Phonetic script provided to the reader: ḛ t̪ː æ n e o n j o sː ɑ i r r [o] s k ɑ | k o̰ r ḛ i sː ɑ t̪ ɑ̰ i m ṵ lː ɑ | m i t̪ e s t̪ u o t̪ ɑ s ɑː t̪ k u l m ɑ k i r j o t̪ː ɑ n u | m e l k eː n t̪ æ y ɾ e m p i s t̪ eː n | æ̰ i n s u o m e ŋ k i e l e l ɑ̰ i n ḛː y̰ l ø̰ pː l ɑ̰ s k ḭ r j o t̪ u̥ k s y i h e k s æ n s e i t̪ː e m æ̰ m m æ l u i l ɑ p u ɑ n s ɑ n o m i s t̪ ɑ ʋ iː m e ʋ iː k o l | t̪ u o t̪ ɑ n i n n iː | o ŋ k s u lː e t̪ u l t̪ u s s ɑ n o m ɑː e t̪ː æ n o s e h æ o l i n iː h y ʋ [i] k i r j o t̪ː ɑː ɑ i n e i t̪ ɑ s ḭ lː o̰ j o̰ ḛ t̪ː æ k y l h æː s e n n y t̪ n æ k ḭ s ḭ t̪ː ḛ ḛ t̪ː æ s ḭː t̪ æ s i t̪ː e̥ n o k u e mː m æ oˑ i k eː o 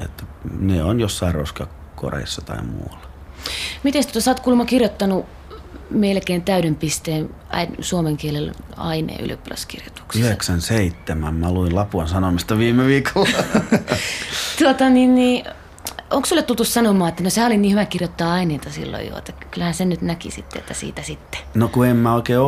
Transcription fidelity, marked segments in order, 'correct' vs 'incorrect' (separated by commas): correct, incorrect